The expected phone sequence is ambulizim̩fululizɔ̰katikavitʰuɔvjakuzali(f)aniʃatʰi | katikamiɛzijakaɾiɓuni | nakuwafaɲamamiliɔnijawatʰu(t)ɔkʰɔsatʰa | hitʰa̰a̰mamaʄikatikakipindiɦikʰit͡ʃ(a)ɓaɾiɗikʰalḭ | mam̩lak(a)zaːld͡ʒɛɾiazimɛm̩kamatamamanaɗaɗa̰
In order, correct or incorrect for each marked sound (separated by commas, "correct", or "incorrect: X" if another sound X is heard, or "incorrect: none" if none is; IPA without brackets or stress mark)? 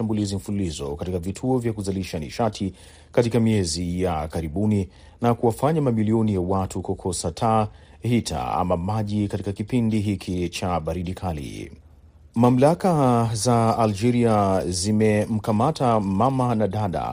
incorrect: ʃ, incorrect: k, correct, correct